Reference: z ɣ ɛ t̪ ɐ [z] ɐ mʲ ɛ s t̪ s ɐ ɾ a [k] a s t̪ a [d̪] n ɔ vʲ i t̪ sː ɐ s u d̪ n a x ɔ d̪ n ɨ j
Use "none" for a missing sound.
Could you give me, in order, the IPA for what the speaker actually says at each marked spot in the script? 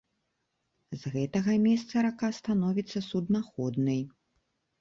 ɣ, k, none

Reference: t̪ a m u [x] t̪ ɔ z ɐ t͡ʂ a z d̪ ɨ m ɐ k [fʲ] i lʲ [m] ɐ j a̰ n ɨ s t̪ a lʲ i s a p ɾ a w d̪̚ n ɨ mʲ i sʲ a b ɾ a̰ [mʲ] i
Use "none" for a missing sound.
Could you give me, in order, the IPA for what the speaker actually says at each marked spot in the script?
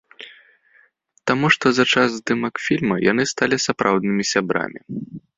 ʂ, fʲ, m, mʲ

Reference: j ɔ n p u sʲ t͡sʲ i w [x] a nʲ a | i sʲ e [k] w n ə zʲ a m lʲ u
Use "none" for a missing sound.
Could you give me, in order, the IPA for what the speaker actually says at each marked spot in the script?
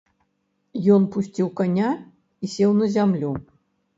k, none

